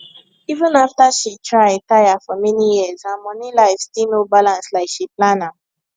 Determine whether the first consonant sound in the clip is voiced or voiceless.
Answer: voiced